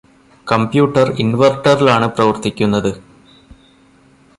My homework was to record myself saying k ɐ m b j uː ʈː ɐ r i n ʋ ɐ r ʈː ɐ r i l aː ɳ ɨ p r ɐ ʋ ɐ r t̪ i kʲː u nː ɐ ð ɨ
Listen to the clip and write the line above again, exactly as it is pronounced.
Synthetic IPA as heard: k ɐ m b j uː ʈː ɐ r i n ʋ ɐ r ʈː ɐ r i l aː ɳ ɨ p r ɐ ʋ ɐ r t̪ i kʲː u nː ɐ ð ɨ

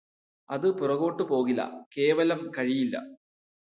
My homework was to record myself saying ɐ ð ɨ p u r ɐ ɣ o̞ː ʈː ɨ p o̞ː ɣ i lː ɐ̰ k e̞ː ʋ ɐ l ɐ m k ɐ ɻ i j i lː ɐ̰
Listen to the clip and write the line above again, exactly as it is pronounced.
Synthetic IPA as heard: ɐ ð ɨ p u r ɐ ɣ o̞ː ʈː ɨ p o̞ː ɣ i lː ɐ̰ k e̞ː ʋ ɐ l ɐ m k ɐ ɻ i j i lː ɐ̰

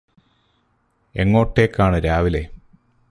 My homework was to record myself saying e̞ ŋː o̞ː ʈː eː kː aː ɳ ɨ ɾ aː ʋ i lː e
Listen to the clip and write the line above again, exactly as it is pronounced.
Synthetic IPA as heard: e̞ ŋː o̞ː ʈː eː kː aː ɳ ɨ ɾ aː ʋ i l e

